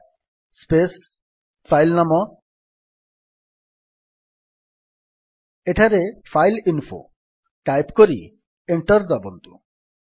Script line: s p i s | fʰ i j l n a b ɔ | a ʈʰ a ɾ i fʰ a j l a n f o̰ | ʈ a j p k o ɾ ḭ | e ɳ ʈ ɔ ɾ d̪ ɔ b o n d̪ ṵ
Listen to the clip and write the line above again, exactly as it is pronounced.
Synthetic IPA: s p e s | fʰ a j l n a m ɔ | e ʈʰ a ɾ e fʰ a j l i n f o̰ | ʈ a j p k o ɾ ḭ | e ɳ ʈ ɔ ɾ d̪ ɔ b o n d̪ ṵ